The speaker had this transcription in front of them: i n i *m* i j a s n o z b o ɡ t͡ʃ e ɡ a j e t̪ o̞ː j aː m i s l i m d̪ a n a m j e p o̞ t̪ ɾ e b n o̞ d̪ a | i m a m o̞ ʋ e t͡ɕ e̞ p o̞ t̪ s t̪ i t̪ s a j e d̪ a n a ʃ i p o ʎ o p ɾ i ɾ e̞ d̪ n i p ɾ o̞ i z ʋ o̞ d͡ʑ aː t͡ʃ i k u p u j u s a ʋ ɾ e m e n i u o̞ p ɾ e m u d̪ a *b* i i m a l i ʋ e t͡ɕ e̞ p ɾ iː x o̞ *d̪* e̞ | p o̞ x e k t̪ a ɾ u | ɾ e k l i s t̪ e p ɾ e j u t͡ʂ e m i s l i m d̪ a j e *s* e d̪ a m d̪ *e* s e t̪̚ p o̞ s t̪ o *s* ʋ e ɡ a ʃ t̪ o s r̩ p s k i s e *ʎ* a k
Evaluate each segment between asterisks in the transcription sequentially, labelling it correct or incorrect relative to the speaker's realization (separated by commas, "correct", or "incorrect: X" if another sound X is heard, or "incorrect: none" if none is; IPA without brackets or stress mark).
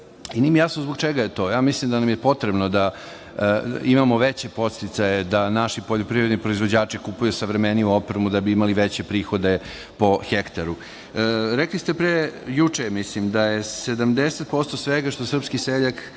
correct, correct, correct, correct, correct, correct, correct